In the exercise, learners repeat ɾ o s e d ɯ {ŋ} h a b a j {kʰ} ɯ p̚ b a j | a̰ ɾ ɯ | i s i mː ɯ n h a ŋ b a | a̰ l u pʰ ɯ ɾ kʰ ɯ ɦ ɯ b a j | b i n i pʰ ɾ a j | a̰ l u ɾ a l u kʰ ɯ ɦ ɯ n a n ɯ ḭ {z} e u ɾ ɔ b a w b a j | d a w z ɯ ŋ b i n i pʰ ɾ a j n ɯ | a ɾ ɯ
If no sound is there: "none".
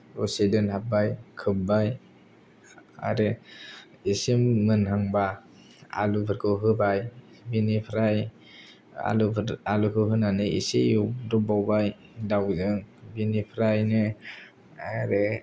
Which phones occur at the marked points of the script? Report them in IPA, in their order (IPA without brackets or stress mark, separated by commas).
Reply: n, kʰ, s